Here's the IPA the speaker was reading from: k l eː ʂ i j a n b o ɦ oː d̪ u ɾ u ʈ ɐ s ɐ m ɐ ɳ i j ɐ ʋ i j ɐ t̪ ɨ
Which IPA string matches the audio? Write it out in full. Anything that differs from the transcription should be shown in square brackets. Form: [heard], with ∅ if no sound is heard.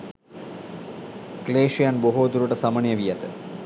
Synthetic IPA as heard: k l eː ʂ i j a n b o ɦ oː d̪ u ɾ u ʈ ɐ s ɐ m ɐ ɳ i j ɐ ʋ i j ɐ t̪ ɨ